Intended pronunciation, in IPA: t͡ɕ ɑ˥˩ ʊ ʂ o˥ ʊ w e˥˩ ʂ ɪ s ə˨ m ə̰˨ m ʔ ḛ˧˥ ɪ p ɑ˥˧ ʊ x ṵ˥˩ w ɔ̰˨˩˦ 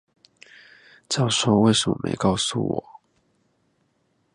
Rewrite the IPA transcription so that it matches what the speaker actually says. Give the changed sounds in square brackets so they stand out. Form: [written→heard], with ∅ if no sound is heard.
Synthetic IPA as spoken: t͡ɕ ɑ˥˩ ʊ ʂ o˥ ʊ w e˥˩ [ʂ→∅] ɪ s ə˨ m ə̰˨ m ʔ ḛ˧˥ ɪ [p→k] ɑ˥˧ ʊ [x→s] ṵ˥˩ w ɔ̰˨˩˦